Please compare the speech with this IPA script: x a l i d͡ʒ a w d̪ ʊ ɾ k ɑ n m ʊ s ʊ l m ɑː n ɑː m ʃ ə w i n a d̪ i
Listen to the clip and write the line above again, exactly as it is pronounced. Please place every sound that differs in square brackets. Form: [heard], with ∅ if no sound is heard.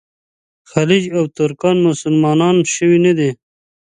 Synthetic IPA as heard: x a l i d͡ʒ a w [t̪] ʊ ɾ k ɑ n m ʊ s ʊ l m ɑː n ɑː [n] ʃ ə w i n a d̪ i